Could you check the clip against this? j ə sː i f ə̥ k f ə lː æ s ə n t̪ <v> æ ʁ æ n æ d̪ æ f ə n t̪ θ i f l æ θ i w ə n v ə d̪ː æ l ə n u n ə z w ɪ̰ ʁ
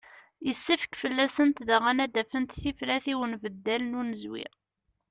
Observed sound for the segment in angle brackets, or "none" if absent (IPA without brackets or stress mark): ð